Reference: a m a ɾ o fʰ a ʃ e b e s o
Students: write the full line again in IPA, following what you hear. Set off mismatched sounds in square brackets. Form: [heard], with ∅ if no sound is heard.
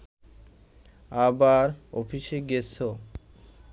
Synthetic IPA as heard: a [b] a ɾ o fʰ [i] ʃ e [ɡ] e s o